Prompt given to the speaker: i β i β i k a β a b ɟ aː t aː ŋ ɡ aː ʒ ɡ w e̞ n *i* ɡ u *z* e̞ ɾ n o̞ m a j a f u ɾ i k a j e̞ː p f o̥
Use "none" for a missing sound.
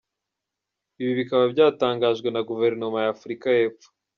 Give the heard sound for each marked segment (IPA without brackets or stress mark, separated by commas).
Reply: a, v